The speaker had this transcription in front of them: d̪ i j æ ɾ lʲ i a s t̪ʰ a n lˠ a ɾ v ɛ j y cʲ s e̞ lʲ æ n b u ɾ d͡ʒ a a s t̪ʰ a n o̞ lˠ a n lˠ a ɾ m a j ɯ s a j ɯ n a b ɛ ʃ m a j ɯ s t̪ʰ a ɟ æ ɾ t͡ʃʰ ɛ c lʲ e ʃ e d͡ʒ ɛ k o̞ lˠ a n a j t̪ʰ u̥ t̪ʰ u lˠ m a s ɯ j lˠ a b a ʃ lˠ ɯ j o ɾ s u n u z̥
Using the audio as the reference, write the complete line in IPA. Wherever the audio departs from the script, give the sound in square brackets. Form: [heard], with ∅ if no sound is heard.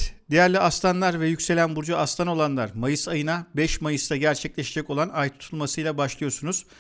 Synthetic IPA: d̪ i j æ ɾ lʲ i a s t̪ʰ a n lˠ a ɾ v ɛ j y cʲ s e̞ lʲ æ n b u ɾ d͡ʒ a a s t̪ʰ a n o̞ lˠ a n lˠ a ɾ m a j ɯ s a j ɯ n a b ɛ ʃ m a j ɯ s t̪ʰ a ɟ æ ɾ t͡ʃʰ ɛ c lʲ e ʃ e d͡ʒ ɛ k o̞ lˠ a n a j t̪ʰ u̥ t̪ʰ u lˠ m a s ɯ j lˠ a b a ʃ lˠ ɯ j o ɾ s u n u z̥

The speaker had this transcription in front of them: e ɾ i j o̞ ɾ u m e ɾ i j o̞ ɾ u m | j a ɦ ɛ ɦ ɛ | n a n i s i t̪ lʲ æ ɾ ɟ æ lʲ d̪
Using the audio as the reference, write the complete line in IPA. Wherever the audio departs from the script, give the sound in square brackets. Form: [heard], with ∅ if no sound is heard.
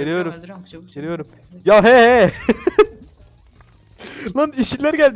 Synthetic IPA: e ɾ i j o̞ ɾ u m e ɾ i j o̞ ɾ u m | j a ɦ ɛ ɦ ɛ | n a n i [ʃ] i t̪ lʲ æ ɾ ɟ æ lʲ d̪

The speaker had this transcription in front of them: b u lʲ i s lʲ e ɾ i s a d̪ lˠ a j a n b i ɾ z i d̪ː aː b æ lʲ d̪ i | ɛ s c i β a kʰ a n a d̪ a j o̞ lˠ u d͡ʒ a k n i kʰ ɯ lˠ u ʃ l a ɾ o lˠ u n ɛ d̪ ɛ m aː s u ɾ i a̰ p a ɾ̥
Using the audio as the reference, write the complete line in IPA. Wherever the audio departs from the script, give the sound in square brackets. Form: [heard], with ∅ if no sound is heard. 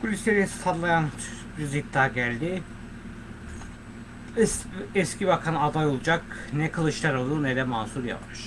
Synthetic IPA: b u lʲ i s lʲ e ɾ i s a d̪ lˠ a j a n b i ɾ z i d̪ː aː [ɟ] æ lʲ d̪ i | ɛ s c i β a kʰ a n a d̪ a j o̞ lˠ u d͡ʒ a k n [ɛ] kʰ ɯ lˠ [ɯ] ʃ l a ɾ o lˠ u n ɛ d̪ ɛ m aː s u ɾ [j] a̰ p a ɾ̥

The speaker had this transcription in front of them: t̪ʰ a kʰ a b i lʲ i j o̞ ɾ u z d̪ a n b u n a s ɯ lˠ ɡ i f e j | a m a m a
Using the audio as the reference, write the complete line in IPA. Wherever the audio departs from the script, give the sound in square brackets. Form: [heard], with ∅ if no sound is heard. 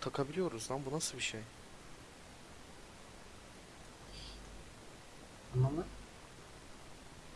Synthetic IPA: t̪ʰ a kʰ a b i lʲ i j o̞ ɾ u z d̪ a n b u n a s ɯ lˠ [b] i [ʃ] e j | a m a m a

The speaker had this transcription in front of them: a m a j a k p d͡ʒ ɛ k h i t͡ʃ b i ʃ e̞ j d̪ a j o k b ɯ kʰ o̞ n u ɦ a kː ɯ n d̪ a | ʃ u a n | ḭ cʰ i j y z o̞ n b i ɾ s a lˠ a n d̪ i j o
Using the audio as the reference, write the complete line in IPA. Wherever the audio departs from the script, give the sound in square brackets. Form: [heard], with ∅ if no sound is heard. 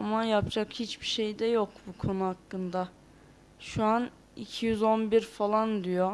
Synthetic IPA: a m a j a [∅] p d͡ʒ [a] k h i t͡ʃ b i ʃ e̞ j d̪ [ɛ] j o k b [u] kʰ o̞ n u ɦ a kː ɯ n d̪ a | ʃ u a n | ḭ cʰ i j y z o̞ n b i ɾ [f] a lˠ a n d̪ i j o

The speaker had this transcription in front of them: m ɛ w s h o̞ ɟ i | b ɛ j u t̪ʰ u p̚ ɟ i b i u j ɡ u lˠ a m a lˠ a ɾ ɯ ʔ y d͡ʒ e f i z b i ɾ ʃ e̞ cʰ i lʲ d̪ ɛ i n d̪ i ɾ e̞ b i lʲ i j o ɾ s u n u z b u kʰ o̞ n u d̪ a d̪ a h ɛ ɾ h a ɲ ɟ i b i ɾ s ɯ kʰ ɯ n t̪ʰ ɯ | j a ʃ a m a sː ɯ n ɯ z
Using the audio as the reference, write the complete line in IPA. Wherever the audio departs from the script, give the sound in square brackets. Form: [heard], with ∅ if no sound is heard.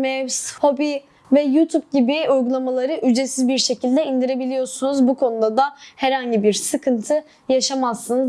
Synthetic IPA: m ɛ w s h o̞ [b] i | [v] ɛ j u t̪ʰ u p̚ ɟ i b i u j ɡ u lˠ a m a lˠ a ɾ ɯ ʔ y d͡ʒ e [s] i z b i ɾ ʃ e̞ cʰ i lʲ d̪ ɛ i n d̪ i ɾ e̞ b i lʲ i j o ɾ s u n u z b u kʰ o̞ n u d̪ a d̪ a h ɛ ɾ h a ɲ ɟ i b i ɾ s ɯ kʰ ɯ n t̪ʰ ɯ | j a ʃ a m a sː ɯ n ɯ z

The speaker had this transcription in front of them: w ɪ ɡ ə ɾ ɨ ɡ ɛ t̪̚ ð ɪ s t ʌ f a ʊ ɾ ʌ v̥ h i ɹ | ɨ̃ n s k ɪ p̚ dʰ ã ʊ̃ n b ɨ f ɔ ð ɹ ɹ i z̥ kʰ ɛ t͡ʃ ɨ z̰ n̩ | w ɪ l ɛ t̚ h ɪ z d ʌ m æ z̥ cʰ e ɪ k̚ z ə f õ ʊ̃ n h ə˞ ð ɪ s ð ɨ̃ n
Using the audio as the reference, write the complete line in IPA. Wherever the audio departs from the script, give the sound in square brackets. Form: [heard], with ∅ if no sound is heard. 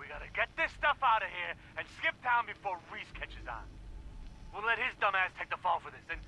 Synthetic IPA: w [i] ɡ [ɑ] ɾ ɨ ɡ ɛ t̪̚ ð ɪ s t ʌ f a ʊ ɾ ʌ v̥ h i ɹ | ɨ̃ n s k ɪ p̚ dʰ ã ʊ̃ n b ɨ f ɔ [∅] ɹ ɹ i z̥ kʰ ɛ t͡ʃ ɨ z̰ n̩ | w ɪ l ɛ t̚ h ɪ z d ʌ m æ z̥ [tʰ] e ɪ k̚ [ð] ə f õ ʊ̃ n [f] ə˞ ð ɪ s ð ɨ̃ n

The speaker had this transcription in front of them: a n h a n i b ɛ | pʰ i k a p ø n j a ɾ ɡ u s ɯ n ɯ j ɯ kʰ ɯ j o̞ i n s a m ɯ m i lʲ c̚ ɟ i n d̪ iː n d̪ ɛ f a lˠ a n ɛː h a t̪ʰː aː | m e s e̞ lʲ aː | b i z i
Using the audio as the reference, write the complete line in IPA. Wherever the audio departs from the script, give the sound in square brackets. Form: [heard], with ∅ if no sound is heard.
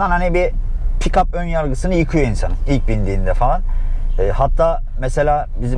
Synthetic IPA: a n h a n i b [i] | pʰ i k a p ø n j a ɾ ɡ [ɯ] s ɯ n ɯ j ɯ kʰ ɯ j o̞ i n s a [n] ɯ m i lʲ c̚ [b] i n d̪ iː n d̪ ɛ f a lˠ a n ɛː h a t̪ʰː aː | m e s e̞ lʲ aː | b i z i

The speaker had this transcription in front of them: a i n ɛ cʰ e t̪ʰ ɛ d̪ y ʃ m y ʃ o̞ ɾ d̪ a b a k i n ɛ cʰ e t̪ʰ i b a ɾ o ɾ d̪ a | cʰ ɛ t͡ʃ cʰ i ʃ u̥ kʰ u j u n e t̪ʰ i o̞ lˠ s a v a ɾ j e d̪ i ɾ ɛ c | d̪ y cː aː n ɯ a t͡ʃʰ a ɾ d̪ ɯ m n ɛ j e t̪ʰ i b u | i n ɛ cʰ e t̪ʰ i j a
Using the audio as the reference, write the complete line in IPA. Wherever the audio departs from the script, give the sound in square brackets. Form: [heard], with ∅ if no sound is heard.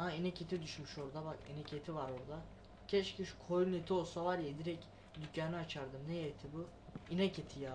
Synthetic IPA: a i n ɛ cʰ e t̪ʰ [i] d̪ y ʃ m y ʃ o̞ ɾ d̪ a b a k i n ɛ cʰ e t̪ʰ i [v] a ɾ o ɾ d̪ a | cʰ ɛ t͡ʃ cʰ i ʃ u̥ kʰ [o] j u n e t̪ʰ i o̞ lˠ s a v a ɾ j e d̪ i ɾ ɛ c | d̪ y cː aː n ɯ a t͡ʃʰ a ɾ d̪ ɯ m n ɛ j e t̪ʰ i b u | i n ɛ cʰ e t̪ʰ i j a

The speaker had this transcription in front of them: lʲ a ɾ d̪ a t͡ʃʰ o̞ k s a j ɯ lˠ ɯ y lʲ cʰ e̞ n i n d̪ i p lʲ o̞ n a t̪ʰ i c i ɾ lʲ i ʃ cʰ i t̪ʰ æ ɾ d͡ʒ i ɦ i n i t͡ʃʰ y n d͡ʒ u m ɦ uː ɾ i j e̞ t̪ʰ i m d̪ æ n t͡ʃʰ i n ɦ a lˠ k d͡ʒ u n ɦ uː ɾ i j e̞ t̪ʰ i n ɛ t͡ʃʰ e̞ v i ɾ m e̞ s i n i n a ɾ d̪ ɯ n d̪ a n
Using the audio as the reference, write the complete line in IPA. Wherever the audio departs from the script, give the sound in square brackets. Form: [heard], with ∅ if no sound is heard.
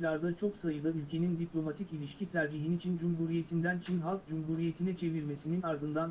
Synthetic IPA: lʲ a ɾ d̪ a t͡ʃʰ o̞ k s a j ɯ lˠ ɯ y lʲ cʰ e̞ n i n d̪ i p lʲ o̞ [m] a t̪ʰ i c i [∅] lʲ i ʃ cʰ i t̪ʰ æ ɾ d͡ʒ i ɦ i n i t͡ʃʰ [i] n d͡ʒ u m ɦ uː ɾ i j e̞ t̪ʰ i [n] d̪ æ n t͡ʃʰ i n ɦ a lˠ k d͡ʒ u [m] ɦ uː ɾ i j e̞ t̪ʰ i n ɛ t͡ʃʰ e̞ v i ɾ m e̞ s i n i n a ɾ d̪ ɯ n d̪ a n

